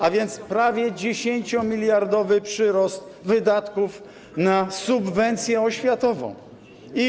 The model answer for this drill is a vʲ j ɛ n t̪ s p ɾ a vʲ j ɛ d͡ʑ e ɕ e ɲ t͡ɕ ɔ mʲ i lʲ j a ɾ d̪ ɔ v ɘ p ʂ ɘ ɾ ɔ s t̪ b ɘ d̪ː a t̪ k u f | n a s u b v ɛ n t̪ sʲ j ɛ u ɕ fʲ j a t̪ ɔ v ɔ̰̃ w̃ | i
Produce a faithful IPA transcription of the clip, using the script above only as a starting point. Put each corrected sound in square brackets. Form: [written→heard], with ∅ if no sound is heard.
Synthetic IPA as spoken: a vʲ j ɛ n t̪ s p ɾ a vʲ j ɛ d͡ʑ e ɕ e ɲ t͡ɕ ɔ mʲ i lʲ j a ɾ d̪ ɔ v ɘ p ʂ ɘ ɾ ɔ s t̪ [b→v] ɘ [d̪ː→d̪] a t̪ k u f | n a s u b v ɛ n t̪ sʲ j ɛ [u→ɔ] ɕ fʲ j a t̪ ɔ v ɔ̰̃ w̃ | i